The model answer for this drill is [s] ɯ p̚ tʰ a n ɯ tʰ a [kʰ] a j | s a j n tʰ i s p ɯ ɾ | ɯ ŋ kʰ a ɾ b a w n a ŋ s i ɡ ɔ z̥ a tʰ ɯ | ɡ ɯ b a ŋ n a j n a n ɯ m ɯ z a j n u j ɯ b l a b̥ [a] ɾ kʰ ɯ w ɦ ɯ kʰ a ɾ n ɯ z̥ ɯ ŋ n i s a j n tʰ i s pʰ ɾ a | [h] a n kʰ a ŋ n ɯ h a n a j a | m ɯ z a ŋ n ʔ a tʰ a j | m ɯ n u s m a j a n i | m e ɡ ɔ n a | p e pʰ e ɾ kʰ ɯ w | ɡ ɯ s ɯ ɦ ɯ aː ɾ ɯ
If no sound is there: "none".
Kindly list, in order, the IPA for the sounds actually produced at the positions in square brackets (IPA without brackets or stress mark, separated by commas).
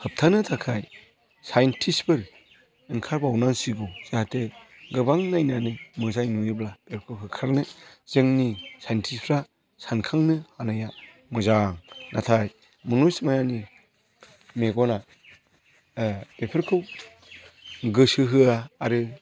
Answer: h, kʰ, e, s